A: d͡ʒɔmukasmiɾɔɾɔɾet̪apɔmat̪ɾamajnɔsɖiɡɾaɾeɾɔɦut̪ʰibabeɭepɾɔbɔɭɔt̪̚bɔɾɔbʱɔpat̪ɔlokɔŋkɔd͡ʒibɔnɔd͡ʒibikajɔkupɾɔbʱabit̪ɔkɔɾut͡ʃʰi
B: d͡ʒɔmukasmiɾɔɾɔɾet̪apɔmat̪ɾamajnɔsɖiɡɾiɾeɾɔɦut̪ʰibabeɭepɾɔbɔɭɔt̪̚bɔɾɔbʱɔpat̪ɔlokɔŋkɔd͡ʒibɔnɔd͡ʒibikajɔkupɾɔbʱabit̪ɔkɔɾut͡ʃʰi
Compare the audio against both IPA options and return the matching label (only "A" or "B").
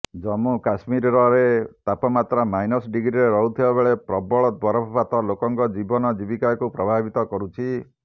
B